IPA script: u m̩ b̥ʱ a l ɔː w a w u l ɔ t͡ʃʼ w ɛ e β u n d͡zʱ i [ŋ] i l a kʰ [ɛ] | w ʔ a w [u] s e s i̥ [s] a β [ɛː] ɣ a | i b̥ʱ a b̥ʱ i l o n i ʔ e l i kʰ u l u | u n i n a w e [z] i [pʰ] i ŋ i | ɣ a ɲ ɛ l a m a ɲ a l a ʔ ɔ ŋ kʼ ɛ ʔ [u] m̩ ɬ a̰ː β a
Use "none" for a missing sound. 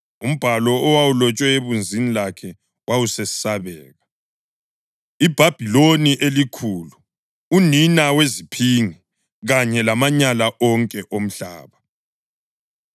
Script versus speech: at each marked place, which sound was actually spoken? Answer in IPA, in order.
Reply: n, ɛ, u, s, ɛː, z, pʰ, o

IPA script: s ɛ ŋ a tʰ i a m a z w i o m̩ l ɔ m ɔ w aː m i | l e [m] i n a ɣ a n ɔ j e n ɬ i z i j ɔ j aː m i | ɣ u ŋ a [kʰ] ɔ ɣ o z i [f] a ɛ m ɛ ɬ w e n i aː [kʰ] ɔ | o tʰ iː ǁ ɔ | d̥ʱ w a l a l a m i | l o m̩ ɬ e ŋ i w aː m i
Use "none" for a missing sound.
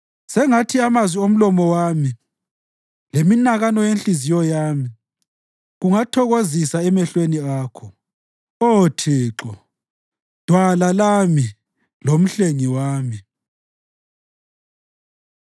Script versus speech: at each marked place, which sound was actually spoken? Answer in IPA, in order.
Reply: m, tʰ, s, kʰ

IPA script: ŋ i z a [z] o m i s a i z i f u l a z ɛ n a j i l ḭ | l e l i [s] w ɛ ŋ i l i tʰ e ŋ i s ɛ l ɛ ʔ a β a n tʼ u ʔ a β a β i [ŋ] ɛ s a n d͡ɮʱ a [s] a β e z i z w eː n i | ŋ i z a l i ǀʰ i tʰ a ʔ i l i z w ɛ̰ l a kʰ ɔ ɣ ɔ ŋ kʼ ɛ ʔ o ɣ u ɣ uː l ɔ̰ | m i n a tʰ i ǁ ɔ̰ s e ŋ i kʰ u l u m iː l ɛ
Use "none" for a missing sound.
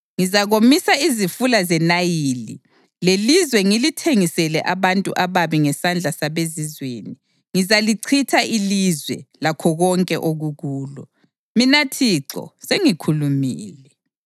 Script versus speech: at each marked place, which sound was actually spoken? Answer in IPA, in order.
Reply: ɣ, z, ŋ, s

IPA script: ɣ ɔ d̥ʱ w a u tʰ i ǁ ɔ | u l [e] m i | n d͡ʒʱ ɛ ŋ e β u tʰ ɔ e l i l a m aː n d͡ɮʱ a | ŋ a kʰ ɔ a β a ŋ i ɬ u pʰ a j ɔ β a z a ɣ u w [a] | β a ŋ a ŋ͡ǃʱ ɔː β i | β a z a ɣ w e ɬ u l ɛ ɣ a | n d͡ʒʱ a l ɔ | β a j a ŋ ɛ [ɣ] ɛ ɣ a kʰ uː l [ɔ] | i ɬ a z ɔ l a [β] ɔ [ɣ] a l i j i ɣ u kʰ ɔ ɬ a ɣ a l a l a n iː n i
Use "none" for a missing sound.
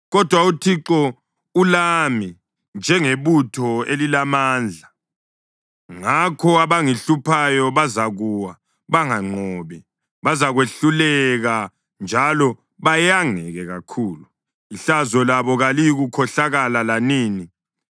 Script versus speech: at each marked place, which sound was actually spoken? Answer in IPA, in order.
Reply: a, a, ɣ, u, β, ɣ

